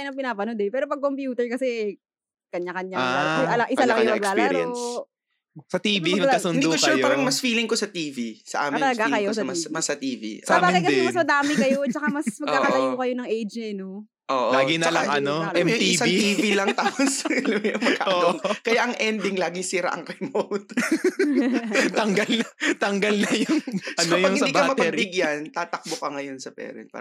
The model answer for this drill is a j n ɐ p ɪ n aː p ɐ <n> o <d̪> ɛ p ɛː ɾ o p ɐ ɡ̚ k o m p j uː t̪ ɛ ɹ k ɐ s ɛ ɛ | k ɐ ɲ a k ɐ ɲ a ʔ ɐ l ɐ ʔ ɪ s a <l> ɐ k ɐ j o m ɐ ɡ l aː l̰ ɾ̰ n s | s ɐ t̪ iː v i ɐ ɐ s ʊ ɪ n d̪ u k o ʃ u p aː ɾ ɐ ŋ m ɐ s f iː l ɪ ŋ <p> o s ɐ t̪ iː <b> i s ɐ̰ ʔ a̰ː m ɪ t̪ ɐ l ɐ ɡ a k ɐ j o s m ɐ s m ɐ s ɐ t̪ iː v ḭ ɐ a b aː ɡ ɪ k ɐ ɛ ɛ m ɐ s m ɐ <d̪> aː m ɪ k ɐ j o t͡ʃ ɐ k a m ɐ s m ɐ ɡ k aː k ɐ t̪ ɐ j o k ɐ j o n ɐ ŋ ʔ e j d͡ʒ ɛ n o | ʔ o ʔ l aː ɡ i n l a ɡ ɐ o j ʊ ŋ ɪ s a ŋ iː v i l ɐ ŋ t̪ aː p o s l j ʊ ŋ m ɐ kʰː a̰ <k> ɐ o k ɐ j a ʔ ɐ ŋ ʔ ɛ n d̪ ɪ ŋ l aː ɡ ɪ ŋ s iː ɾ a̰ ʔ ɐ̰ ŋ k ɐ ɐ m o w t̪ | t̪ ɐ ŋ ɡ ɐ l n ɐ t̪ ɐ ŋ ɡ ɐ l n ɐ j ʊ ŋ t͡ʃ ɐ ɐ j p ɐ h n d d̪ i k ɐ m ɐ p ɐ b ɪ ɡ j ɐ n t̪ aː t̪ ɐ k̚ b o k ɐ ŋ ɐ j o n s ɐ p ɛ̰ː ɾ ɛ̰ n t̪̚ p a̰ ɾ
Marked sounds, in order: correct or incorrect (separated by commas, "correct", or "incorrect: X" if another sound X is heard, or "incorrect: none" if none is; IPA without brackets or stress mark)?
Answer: correct, correct, correct, incorrect: k, incorrect: v, correct, incorrect: ʔ